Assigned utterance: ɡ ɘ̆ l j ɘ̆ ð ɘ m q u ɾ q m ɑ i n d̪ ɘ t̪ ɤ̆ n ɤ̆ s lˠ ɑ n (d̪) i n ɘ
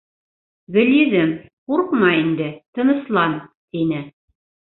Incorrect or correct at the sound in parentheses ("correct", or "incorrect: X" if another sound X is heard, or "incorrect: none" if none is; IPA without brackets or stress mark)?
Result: incorrect: t̪